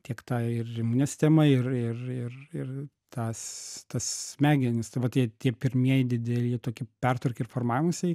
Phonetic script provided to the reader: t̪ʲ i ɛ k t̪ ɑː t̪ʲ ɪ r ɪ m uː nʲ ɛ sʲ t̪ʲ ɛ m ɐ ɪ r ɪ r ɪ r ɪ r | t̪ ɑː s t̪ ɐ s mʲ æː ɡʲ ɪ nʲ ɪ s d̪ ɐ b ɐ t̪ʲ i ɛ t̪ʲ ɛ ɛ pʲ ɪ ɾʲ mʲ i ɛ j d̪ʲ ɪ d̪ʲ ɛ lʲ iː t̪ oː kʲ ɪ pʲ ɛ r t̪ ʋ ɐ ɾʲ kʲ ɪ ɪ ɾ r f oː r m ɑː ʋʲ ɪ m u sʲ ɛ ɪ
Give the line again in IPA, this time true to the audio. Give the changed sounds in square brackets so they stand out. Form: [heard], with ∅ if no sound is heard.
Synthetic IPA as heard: t̪ʲ i ɛ k t̪ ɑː [∅] ɪ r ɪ m uː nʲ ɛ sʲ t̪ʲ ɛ m ɐ ɪ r ɪ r ɪ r ɪ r | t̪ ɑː s t̪ ɐ s mʲ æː ɡʲ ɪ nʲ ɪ s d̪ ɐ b ɐ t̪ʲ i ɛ t̪ʲ [i] ɛ pʲ ɪ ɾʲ mʲ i ɛ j d̪ʲ ɪ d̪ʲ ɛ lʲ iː t̪ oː kʲ ɪ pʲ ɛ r t̪ ʋ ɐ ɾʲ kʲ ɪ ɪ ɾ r f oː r m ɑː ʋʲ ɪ m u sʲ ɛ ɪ